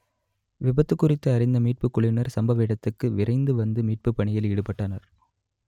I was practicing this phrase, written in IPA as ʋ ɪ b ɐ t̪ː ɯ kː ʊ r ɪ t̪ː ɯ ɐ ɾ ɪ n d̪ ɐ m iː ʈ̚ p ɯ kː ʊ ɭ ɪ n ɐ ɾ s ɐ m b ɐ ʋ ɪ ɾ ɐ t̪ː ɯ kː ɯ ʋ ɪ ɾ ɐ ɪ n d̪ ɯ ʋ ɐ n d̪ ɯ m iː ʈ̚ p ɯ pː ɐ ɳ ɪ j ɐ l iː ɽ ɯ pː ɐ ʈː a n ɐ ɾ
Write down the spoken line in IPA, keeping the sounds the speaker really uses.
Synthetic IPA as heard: ʋ ɪ b ɐ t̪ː ɯ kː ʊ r ɪ t̪ː ɯ ɐ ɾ ɪ n d̪ ɐ m iː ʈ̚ p ɯ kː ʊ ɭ ɪ n ɐ ɾ s ɐ m b ɐ ʋ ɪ ɽ ɐ t̪ː ɯ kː ɯ ʋ ɪ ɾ ɐ ɪ n d̪ ɯ ʋ ɐ n d̪ ɯ m iː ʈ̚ p ɯ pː ɐ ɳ ɪ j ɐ l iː ɽ ɯ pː ɐ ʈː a n ɐ ɾ